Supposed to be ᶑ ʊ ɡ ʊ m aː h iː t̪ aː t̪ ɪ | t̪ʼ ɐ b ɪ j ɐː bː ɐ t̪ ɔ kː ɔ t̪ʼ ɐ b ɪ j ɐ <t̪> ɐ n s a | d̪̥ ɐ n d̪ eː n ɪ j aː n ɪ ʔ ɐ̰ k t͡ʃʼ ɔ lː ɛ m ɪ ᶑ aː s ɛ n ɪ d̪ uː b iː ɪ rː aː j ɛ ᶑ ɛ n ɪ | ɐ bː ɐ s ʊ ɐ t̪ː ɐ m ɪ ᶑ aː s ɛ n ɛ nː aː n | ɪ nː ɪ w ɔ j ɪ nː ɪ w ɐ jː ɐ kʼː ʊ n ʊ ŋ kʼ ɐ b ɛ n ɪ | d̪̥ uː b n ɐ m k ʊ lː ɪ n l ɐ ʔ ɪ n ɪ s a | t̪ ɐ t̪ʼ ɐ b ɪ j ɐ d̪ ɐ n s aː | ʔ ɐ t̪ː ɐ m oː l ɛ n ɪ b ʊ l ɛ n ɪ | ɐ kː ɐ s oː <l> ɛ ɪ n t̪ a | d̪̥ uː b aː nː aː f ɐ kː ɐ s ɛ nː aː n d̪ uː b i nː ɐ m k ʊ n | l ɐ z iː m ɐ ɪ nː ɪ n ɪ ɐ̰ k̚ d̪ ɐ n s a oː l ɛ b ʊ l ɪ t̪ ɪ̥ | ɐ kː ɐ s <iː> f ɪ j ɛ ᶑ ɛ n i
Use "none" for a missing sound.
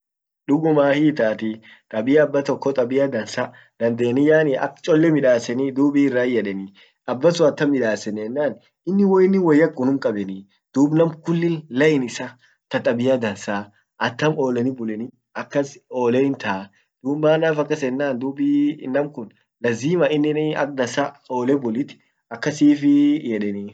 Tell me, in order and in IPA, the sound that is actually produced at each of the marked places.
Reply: d̪, l, iː

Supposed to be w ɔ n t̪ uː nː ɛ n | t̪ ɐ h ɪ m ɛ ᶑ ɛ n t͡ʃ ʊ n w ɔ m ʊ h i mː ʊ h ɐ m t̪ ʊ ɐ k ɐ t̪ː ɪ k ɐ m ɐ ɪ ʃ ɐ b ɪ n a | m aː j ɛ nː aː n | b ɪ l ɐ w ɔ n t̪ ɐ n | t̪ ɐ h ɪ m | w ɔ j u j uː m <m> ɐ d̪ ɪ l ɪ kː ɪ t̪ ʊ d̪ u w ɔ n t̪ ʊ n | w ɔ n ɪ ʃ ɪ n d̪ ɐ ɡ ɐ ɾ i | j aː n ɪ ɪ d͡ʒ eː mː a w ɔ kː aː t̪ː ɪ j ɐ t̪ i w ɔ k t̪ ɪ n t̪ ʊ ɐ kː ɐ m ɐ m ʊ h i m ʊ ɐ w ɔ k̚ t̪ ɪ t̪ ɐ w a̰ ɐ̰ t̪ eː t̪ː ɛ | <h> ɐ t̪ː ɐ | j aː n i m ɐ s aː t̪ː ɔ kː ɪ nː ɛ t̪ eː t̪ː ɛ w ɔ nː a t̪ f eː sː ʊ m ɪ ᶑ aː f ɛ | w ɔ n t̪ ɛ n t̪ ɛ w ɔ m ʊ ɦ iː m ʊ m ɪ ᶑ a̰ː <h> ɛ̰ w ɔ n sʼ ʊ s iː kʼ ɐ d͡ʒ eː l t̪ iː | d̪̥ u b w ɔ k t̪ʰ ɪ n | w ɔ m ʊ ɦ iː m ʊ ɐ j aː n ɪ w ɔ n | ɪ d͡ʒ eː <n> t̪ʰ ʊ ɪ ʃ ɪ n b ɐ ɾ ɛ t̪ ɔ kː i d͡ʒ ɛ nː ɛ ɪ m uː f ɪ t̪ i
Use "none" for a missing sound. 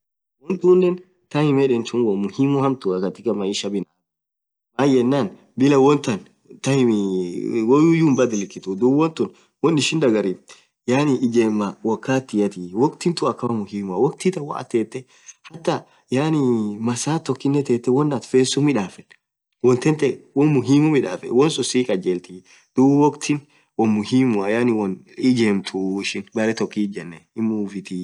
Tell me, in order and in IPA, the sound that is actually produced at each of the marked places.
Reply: b, h, f, m

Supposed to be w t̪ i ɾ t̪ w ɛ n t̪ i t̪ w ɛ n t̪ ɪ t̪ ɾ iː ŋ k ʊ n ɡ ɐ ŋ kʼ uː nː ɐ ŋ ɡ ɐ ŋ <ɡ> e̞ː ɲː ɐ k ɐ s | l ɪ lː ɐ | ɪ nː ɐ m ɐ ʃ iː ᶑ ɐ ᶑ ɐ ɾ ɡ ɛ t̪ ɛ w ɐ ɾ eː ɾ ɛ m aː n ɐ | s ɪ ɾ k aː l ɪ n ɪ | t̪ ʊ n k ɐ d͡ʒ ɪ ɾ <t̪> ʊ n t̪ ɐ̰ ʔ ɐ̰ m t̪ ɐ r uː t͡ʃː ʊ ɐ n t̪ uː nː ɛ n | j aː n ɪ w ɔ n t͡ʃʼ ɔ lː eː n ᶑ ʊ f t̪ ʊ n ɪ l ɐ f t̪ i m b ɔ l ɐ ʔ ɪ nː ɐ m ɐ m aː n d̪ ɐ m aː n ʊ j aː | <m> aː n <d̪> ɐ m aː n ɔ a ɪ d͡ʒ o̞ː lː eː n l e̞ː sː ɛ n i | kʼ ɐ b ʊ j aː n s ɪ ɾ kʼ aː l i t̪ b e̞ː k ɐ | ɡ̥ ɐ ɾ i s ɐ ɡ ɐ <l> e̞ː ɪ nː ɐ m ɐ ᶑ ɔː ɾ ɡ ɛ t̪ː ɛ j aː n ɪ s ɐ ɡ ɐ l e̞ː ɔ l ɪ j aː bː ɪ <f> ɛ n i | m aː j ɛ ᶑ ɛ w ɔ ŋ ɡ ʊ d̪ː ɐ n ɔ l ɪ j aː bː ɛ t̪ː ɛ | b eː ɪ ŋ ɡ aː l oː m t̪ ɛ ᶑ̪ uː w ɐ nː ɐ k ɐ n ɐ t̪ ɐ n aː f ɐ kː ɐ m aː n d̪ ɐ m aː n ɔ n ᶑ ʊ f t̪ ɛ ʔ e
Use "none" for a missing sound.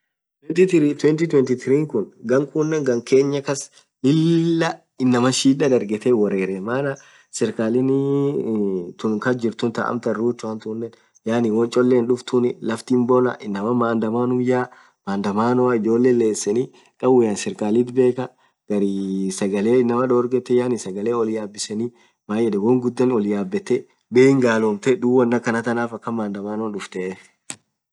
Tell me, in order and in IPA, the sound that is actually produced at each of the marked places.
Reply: k, t̪, m, d̪, l, s

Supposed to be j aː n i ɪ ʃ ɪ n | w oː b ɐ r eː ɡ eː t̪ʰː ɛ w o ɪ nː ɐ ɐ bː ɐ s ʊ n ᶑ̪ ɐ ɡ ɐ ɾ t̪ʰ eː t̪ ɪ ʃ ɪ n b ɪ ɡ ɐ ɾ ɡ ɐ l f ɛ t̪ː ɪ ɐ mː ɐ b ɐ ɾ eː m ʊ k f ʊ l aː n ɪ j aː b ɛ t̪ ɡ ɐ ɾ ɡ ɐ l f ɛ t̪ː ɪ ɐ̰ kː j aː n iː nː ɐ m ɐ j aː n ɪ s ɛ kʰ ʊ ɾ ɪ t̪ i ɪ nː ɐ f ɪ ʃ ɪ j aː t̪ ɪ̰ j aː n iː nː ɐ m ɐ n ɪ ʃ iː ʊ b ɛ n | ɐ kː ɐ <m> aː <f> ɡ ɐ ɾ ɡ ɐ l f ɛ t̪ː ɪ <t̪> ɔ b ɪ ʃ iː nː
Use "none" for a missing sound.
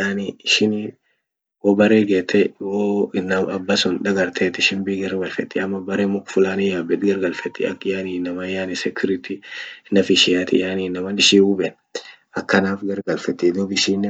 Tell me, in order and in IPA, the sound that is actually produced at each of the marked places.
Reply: n, f, d̪

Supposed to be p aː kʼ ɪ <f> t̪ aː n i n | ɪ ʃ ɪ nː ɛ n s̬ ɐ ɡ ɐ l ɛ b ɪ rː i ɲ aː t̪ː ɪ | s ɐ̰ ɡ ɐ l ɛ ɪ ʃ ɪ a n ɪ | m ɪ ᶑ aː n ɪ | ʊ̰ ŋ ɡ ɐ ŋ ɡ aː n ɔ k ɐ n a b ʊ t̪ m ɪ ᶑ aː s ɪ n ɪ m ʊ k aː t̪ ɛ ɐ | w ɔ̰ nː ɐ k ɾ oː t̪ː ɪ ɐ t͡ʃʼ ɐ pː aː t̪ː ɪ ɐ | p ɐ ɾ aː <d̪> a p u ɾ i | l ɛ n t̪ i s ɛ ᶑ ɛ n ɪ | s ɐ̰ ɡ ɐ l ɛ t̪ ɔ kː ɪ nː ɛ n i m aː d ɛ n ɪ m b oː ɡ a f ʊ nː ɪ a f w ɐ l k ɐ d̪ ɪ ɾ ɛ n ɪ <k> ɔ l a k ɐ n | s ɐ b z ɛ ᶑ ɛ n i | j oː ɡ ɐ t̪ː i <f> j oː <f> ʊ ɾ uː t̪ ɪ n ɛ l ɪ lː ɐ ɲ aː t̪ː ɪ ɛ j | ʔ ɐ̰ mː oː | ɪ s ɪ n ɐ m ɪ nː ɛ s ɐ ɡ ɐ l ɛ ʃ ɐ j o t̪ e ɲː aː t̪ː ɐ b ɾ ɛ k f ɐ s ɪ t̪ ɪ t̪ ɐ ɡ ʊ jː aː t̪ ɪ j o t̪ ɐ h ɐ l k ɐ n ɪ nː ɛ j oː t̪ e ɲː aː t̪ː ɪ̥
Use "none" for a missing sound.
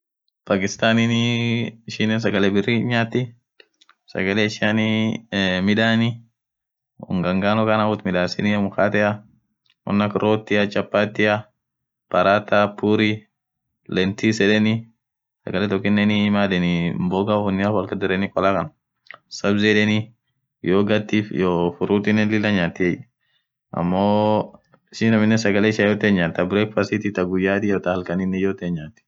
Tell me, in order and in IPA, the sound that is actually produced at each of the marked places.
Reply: s, t̪, kʼ, f, f

